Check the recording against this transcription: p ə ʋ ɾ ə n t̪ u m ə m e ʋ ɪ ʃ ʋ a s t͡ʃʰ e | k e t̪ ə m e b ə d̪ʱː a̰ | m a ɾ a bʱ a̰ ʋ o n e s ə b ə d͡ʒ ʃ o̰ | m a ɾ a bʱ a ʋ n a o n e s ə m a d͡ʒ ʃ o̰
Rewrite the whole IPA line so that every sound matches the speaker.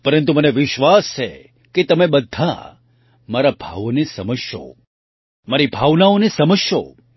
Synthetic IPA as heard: p ə ɾ ə n t̪ u m ə n e ʋ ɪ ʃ ʋ a s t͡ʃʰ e | k e t̪ ə m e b ə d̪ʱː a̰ | m a ɾ a bʱ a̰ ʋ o n e s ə m ə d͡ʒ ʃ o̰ | m a ɾ i bʱ a ʋ n a o n e s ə m ə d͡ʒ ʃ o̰